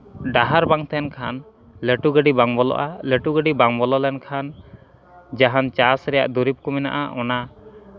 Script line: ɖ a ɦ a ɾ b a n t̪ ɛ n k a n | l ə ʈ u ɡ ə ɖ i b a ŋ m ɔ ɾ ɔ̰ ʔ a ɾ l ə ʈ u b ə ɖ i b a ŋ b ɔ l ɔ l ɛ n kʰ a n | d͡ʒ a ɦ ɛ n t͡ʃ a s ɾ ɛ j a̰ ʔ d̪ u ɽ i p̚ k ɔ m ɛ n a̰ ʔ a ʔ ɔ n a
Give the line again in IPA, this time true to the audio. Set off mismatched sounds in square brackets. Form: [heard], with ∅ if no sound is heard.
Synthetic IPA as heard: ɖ a ɦ a ɾ b a [ŋ] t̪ ɛ n [kʰ] a n | l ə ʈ u ɡ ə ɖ i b a ŋ [b] ɔ [l] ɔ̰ ʔ a [∅] l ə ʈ u [ɡ] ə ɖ i b a ŋ b ɔ l ɔ l ɛ n kʰ a n | d͡ʒ a ɦ [a] n t͡ʃ a s ɾ ɛ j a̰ ʔ d̪ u [ɾ] i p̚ k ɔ m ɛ n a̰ ʔ a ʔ ɔ n a